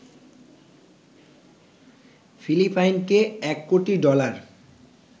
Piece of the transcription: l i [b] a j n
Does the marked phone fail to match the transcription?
yes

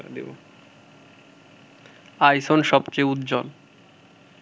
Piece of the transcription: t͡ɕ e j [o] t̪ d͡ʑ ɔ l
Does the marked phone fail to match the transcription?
yes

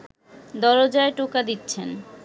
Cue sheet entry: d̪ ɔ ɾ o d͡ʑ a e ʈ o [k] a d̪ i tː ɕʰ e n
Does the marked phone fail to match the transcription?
no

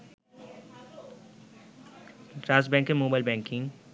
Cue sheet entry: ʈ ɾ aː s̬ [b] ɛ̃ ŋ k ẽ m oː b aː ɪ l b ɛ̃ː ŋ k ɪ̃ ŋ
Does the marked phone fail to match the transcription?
no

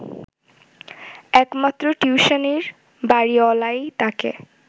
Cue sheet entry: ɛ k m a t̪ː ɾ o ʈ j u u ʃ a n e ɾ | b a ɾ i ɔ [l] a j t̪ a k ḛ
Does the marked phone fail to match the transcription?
no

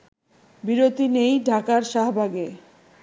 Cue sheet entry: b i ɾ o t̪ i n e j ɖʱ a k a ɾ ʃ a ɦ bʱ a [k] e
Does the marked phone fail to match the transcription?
yes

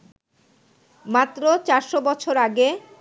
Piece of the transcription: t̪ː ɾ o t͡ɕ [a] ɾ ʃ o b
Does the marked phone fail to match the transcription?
no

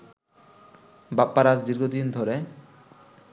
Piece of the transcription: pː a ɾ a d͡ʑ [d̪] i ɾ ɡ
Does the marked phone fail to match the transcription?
no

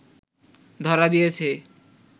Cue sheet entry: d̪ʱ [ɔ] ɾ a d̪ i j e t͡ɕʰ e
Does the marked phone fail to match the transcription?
no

